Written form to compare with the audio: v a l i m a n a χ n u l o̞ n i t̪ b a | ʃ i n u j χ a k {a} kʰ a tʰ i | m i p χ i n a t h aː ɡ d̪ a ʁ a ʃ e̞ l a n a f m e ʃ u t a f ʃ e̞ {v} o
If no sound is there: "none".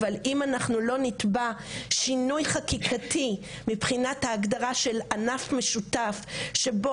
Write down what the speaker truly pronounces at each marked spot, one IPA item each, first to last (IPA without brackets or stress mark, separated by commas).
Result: i, b